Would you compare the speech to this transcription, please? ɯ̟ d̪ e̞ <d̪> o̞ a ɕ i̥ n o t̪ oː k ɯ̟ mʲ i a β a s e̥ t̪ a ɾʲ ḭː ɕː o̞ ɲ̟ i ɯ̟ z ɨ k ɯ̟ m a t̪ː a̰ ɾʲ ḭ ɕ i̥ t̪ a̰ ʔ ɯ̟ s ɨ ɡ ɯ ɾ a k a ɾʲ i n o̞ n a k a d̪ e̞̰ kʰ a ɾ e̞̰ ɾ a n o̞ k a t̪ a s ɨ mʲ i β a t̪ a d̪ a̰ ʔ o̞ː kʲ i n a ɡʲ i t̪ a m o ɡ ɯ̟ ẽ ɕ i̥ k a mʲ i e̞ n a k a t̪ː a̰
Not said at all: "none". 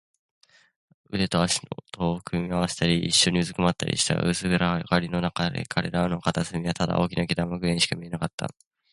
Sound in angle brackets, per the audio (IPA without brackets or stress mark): t̪